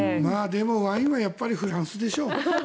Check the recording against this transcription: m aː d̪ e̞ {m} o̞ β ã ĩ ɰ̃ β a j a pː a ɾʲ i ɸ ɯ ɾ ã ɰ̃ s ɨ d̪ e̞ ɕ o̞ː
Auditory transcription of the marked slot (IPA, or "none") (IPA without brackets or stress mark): m